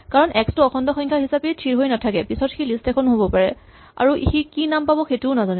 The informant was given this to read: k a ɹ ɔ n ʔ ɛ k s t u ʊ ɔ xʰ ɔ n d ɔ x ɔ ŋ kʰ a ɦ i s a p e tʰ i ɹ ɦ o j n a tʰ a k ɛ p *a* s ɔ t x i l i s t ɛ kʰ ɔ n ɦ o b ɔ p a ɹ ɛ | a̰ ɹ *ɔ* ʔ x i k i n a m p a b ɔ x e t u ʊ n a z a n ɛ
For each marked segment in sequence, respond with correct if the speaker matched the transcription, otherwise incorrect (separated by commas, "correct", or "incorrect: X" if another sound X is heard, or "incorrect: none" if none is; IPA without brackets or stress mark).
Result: incorrect: i, incorrect: u